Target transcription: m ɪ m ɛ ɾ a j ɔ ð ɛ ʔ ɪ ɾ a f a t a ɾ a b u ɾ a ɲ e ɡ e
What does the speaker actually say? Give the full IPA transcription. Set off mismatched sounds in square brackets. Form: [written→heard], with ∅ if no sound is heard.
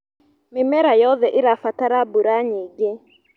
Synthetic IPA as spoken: m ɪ m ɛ ɾ a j ɔ ð ɛ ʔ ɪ ɾ a f a t a ɾ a b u ɾ a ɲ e ɡ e